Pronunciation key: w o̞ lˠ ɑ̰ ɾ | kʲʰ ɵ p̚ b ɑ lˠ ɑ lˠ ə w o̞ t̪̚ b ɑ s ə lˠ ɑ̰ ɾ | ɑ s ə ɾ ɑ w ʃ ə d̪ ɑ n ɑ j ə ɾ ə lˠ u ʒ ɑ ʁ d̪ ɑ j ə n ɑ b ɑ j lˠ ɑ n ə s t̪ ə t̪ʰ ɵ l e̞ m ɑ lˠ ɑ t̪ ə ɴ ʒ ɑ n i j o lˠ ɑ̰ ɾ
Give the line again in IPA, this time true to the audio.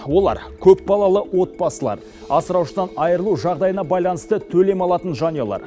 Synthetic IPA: w o̞ lˠ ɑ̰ ɾ | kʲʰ ɵ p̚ b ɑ lˠ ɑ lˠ ə w o̞ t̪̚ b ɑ s ə lˠ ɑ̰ ɾ | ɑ s ə ɾ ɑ w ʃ ə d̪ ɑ n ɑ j ə ɾ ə lˠ u ʒ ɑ ʁ d̪ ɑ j ə n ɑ b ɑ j lˠ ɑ n ə s t̪ ə t̪ʰ ɵ l e̞ m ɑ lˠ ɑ t̪ ə n ʒ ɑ n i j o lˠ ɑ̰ ɾ

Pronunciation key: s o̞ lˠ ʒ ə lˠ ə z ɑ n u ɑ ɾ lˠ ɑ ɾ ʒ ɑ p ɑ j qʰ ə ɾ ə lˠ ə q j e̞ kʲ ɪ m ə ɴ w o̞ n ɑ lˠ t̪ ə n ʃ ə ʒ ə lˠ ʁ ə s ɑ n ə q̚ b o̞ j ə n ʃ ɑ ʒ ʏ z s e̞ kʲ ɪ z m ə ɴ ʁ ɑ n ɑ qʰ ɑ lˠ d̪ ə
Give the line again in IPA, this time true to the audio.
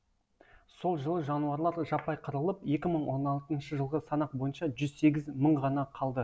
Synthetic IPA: s o̞ lˠ ʒ ə lˠ ə ʒ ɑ n u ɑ ɾ lˠ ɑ ɾ ʒ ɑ p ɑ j qʰ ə ɾ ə lˠ ə p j e̞ kʲ ɪ m ə ɴ w o̞ n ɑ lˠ t̪ ə n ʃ ə ʒ ə lˠ ʁ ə s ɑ n ɑ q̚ b o̞ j ə n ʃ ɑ ʒ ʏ z s e̞ ɡʲ ɪ z m ə ɴ ʁ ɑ n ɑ qʰ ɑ lˠ d̪ ə

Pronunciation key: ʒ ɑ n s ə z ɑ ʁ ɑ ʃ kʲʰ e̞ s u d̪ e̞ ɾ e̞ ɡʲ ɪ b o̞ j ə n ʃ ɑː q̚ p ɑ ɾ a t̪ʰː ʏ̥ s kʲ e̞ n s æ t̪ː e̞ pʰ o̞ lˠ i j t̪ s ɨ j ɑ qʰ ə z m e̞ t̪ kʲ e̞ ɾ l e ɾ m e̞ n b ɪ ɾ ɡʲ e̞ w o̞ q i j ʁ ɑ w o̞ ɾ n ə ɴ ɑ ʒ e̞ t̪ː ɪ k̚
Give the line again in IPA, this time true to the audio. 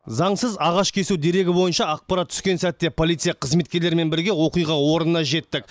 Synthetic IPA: z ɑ ɴ s ə z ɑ ʁ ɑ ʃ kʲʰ e̞ s u d̪ e̞ ɾ e̞ ɡʲ ɪ b o̞ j ə n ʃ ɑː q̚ p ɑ ɾ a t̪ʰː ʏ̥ s kʲ e̞ n s æ t̪ː e̞ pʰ o̞ lˠ i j t̪ s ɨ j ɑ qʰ ə z m e̞ t̪ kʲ e̞ ɾ l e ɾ m e̞ n b ɪ ɾ ɡʲ e̞ w o̞ q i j ʁ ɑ w o̞ ɾ n ə n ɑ ʒ e̞ t̪ː ɪ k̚

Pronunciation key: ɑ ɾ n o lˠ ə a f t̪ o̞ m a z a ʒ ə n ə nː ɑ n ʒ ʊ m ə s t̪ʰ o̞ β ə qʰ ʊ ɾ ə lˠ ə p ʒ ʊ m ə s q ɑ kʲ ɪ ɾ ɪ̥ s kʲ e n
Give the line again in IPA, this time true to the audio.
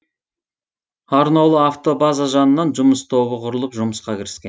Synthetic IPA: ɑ ɾ n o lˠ ə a f t̪ o̞ b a z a ʒ ɑ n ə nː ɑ n ʒ ʊ m ə s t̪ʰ o̞ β ə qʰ ʊ ɾ ə lˠ ə p ʒ ʊ m ə s q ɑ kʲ ɪ ɾ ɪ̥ s kʲ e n

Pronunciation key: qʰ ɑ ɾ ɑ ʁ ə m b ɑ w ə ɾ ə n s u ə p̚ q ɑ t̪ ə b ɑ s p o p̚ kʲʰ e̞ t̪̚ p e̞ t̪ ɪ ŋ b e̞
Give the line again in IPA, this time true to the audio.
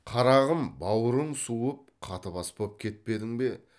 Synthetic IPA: qʰ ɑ ɾ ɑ ʁ ə m b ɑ w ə ɾ ə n s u ə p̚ qʰ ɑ t̪ ə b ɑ s p o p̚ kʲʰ e̞ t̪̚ p e̞ d̪ ɪ ŋ b e̞

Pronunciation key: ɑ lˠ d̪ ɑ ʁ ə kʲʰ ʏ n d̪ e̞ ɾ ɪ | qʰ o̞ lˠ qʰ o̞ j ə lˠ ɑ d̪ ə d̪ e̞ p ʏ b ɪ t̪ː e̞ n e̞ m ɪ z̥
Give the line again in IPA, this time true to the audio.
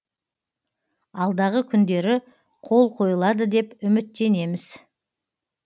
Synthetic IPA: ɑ lˠ d̪ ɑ ʁ ə kʲʰ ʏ n d̪ e̞ ɾ ɪ | qʰ o̞ lˠ qʰ o̞ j ə lˠ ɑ d̪ ə d̪ e̞ p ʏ m ɪ t̪ː e̞ n e̞ m ɪ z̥

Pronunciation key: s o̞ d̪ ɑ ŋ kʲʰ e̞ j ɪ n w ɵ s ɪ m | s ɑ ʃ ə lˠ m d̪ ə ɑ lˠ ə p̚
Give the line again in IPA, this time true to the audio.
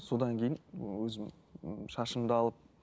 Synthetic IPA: s o̞ d̪ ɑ ŋ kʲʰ e̞ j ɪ n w ɵ z ɪ m | ʃ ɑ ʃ ə m d̪ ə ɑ lˠ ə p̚

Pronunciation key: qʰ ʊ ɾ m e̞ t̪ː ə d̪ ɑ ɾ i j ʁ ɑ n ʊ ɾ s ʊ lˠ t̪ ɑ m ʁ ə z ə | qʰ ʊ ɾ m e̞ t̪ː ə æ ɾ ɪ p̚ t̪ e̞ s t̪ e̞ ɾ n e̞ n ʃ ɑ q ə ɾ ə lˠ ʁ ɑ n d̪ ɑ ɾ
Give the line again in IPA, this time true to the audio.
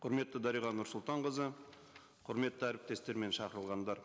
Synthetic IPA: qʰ ʊ ɾ m e̞ t̪ː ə d̪ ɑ ɾ i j ʁ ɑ n ʊ ɾ s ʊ lˠ t̪ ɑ ɴ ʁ ə z ə | qʰ ʊ ɾ m e̞ t̪ː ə æ ɾ ɪ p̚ t̪ e̞ s t̪ e̞ ɾ m e̞ n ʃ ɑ q ə ɾ ə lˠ ʁ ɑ n d̪ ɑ ɾ

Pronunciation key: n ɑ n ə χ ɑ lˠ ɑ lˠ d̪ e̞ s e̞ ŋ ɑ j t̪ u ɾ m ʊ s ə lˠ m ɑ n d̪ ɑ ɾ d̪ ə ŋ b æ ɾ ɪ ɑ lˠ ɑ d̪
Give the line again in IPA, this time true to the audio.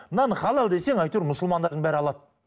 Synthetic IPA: n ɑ n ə χ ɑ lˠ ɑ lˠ d̪ e̞ s e̞ ŋ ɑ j t̪ u ɾ m ʊ s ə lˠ m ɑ n d̪ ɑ ɾ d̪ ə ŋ b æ ɾ ɪ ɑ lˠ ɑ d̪

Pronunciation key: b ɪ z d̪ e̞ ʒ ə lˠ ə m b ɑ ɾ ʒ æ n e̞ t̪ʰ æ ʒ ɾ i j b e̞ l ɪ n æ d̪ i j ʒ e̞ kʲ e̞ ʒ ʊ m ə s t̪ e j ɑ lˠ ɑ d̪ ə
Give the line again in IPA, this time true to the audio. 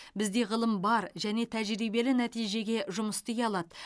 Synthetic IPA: b ɪ z d̪ e̞ ʁ ə lˠ ə m b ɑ ɾ ʒ æ n e̞ t̪ʰ æ ʒ ɾ i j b e̞ l ɪ n æ t̪ i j ʒ e̞ ɡʲ e̞ ʒ ʊ m ə s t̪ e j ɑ lˠ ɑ d̪ ə

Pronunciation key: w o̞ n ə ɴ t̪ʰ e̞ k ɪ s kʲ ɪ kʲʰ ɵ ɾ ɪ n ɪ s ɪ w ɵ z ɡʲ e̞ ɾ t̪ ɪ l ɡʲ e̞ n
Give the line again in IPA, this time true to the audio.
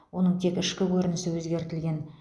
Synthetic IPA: w o̞ n ə ɴ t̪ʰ e̞ k ɪ ʃ kʲ ɪ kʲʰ ɵ ɾ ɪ n ɪ s ɪ w ɵ z ɡʲ e̞ ɾ t̪ ɪ l ɡʲ e̞ n

